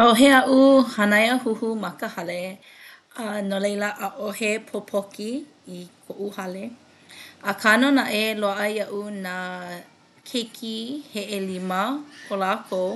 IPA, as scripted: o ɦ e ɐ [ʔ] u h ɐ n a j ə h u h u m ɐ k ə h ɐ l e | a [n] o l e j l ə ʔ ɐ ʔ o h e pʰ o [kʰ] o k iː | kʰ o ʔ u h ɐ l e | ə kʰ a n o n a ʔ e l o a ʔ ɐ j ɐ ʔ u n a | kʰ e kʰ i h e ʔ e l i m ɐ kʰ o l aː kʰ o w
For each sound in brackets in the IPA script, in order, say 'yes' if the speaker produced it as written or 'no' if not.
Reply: yes, yes, no

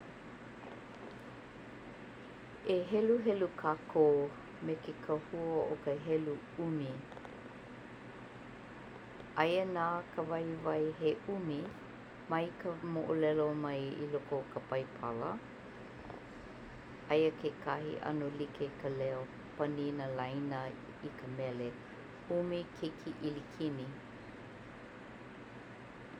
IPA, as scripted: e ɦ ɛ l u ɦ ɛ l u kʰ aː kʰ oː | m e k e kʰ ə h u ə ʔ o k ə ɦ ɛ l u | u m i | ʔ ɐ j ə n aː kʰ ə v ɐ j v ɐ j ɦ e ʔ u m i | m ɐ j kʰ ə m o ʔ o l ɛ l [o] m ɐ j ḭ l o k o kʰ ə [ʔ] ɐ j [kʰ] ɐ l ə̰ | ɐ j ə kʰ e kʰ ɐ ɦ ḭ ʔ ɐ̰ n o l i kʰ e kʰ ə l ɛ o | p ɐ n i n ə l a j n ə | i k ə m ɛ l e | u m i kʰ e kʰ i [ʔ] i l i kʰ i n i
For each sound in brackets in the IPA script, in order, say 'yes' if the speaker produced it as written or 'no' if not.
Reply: yes, no, no, yes

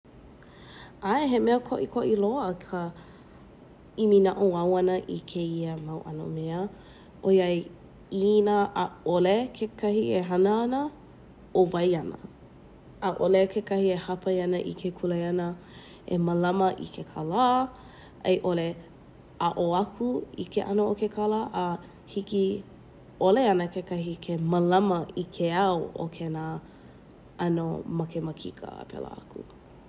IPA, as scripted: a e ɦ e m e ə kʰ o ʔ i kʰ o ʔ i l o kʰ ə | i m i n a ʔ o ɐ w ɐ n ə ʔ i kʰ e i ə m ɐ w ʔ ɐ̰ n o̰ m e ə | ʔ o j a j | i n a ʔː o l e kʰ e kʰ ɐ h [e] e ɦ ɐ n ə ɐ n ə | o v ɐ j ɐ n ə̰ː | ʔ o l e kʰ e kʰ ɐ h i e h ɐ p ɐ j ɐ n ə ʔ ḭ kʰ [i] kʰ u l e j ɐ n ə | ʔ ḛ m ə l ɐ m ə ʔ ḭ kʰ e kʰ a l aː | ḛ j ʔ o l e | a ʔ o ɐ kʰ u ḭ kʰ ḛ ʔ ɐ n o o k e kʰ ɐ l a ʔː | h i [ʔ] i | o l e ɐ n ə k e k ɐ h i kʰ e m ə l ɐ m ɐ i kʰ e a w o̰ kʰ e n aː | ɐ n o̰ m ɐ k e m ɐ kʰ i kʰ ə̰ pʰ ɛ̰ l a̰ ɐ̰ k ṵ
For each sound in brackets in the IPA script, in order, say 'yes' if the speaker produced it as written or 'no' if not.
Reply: no, no, no

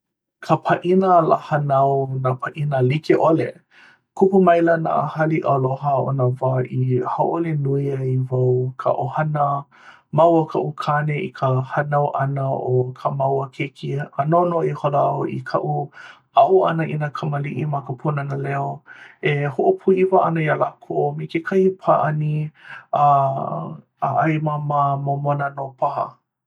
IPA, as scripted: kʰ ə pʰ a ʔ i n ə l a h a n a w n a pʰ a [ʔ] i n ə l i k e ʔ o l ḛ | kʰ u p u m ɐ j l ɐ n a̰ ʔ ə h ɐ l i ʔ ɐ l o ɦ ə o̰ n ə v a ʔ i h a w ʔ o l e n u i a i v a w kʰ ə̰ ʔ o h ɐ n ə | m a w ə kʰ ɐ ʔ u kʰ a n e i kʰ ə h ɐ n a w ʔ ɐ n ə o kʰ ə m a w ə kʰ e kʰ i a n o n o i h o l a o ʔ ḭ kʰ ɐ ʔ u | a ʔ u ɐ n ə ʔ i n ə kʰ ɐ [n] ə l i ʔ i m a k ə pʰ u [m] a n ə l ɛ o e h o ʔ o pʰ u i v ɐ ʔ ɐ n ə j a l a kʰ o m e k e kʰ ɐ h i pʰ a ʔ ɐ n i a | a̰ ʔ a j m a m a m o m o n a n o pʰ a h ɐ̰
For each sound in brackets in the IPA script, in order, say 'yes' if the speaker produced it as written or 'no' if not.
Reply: yes, no, no

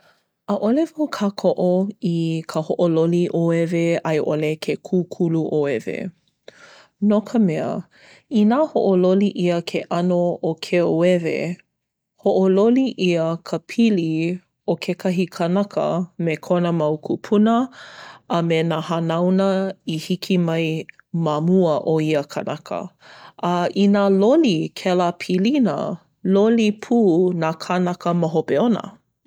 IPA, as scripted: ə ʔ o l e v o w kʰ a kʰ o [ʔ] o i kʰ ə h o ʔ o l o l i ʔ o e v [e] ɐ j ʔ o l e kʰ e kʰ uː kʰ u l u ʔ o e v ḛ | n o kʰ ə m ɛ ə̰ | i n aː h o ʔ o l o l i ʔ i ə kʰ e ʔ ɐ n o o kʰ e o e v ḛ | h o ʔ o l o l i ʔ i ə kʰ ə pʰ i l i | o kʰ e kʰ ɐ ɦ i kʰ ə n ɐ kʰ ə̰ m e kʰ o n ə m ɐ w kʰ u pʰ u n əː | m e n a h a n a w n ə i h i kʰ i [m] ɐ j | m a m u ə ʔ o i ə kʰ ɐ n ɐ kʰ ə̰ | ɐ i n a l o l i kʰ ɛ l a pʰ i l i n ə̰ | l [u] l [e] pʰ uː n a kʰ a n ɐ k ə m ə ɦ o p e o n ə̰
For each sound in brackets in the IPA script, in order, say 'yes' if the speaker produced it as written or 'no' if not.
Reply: yes, yes, yes, no, no

